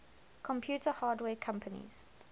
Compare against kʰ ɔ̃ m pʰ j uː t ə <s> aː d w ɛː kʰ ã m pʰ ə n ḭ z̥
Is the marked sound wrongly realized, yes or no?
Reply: yes